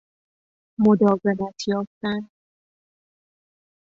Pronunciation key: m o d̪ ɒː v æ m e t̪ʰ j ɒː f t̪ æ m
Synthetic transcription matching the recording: m o d̪ ɒː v e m æ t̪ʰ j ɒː f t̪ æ n